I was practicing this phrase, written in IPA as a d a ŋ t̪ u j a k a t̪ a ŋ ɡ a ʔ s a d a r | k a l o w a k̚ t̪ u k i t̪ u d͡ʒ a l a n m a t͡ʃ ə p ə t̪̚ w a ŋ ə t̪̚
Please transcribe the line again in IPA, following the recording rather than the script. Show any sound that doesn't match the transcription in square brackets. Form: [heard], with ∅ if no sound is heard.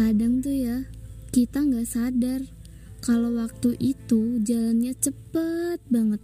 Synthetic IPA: a d a ŋ t̪ u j a k [i] t̪ a ŋ ɡ a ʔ s a d a r | k a l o w a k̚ t̪ u [ʔ] i t̪ u d͡ʒ a l a n [ɲ] a t͡ʃ ə p ə t̪̚ [b] a ŋ ə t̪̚